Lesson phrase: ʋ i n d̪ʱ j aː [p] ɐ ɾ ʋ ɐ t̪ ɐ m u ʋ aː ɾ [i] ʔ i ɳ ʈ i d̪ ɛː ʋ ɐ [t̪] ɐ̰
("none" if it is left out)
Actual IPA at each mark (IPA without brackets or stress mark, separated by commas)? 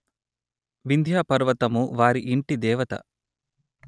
p, i, t̪